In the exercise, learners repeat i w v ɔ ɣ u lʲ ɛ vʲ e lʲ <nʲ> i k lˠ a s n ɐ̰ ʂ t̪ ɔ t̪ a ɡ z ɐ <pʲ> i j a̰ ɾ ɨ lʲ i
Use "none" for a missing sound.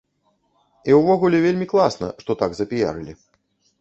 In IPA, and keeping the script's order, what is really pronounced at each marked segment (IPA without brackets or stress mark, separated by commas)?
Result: mʲ, pʲ